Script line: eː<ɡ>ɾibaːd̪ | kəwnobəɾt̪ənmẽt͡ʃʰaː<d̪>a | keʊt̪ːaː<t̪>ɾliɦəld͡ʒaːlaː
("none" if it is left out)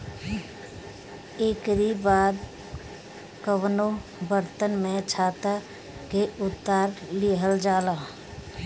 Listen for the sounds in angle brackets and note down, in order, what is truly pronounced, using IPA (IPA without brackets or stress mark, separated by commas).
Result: k, t̪, none